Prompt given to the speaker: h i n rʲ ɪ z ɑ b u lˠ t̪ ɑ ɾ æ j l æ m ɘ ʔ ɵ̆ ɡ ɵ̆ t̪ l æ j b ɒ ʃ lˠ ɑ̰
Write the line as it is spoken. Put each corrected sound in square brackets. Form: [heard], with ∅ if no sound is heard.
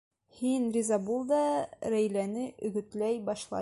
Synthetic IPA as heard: h i n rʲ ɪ z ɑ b u lˠ [d̪] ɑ ɾ æ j l æ [n] ɘ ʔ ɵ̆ ɡ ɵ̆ t̪ l æ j b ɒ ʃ lˠ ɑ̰

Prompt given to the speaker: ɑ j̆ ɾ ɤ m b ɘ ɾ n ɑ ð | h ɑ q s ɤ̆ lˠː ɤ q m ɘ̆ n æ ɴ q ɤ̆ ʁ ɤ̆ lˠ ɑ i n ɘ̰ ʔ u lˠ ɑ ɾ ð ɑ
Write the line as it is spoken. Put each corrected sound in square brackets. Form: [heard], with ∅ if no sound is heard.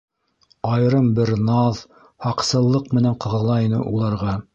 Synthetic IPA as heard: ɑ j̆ ɾ ɤ m b ɘ ɾ n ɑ ð | h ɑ q s ɤ̆ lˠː ɤ q m ɘ̆ n æ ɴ q ɤ̆ ʁ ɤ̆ lˠ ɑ i n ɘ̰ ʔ u lˠ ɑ ɾ [ʁ] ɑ

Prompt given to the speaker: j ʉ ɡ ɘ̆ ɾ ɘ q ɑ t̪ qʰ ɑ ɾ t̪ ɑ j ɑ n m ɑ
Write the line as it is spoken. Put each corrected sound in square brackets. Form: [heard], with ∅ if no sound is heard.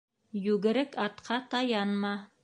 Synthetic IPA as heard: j ʉ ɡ ɘ̆ ɾ ɘ [k] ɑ t̪ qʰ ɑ [∅] t̪ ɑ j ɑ n m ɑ

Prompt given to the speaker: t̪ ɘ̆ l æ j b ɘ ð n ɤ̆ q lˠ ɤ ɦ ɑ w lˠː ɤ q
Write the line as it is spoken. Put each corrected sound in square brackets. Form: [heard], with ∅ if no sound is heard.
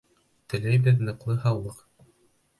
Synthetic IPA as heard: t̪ ɘ̆ l æ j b ɘ ð n ɤ̆ q lˠ ɤ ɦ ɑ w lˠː ɤ q

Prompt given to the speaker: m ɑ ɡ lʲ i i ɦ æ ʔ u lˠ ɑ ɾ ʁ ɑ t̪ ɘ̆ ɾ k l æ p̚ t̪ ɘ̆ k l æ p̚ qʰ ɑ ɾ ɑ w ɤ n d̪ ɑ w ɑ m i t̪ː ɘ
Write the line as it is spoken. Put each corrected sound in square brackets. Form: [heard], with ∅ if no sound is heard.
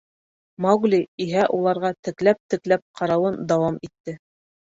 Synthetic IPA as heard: m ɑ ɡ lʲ i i ɦ æ ʔ u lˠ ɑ ɾ ʁ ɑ t̪ ɘ̆ [∅] k l æ p̚ t̪ ɘ̆ k l æ p̚ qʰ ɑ ɾ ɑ w ɤ n d̪ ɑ w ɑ m i t̪ː ɘ

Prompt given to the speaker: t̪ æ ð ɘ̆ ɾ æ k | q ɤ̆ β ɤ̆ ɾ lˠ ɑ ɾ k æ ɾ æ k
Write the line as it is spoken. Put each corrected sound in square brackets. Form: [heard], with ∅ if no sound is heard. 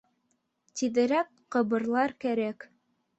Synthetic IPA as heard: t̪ [i] ð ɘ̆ ɾ æ k | q ɤ̆ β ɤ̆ ɾ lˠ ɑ ɾ k æ ɾ æ k

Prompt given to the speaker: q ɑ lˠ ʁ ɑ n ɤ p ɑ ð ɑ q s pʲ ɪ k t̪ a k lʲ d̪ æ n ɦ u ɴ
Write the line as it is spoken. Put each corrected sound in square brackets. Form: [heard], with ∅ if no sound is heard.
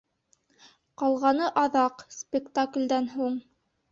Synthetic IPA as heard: q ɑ lˠ ʁ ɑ n ɤ [ʔ] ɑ ð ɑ q s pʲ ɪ k t̪ a k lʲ d̪ æ n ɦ u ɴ

